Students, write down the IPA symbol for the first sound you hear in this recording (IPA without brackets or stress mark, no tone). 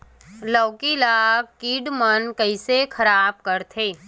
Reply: l